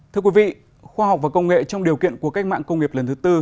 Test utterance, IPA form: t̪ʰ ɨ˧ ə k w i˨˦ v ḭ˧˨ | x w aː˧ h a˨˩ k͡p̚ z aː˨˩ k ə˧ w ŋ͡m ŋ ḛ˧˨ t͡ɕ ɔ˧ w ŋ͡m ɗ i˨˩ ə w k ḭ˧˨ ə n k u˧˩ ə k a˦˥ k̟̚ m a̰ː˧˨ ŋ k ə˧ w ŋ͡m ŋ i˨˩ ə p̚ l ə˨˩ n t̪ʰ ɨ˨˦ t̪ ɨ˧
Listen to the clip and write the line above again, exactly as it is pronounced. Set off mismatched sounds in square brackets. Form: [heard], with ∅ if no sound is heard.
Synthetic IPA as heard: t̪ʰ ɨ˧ ə k w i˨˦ v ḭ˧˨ | x w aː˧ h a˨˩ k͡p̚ [v] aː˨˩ k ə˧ w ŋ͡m ŋ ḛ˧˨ t͡ɕ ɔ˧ w ŋ͡m ɗ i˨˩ ə w k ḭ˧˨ ə n k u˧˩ ə k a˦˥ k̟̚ m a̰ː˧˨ ŋ k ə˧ w ŋ͡m ŋ i˨˩ ə p̚ l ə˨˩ n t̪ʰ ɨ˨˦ t̪ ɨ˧